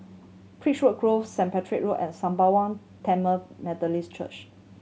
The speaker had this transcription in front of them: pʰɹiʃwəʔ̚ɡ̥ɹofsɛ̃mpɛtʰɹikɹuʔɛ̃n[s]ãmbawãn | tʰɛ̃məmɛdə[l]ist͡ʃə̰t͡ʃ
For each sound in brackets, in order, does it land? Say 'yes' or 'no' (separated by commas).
yes, yes